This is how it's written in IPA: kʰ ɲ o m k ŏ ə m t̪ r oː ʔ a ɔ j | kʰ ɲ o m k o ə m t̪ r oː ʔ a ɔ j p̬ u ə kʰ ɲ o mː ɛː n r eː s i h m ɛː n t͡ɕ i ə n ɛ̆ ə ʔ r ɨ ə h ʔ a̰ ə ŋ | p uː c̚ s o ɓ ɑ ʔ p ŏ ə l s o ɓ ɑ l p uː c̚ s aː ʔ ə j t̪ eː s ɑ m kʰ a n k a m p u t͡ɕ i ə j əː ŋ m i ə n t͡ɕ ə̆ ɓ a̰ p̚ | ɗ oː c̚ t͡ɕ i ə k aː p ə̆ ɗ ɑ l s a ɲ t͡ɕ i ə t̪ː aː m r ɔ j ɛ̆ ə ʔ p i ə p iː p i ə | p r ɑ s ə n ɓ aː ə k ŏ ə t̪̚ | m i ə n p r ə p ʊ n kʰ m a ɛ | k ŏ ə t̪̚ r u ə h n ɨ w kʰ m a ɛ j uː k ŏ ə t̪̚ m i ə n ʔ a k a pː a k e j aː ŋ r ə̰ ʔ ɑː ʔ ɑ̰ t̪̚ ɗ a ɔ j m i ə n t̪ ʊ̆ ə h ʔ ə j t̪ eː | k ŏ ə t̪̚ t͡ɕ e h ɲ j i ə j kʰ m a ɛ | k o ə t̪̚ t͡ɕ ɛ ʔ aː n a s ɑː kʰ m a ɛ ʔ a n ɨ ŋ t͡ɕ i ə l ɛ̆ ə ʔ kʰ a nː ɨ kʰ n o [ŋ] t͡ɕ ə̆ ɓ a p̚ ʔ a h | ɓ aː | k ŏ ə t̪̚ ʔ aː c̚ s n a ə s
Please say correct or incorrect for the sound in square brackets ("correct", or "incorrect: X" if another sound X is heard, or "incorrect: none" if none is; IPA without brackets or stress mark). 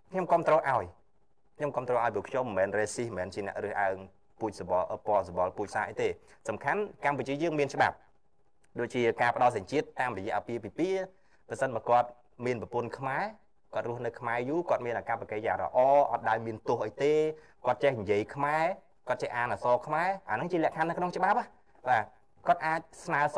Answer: correct